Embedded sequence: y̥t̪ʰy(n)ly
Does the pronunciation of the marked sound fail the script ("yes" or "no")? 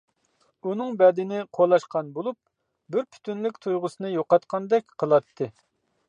no